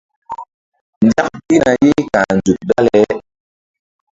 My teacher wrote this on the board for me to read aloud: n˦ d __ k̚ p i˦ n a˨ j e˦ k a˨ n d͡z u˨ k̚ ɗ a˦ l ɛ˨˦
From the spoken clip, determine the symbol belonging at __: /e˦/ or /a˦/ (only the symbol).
a˦